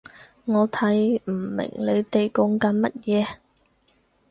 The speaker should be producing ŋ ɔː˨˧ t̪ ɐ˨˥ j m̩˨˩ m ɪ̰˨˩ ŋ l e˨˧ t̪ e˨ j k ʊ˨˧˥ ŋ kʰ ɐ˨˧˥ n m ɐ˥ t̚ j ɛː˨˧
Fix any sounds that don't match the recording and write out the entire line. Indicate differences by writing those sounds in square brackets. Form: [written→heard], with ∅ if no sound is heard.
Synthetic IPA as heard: ŋ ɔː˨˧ [t̪→t̪ʰ] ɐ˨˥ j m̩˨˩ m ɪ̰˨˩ ŋ l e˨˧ t̪ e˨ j k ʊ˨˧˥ ŋ [kʰ→k] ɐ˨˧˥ n m ɐ˥ t̚ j ɛː˨˧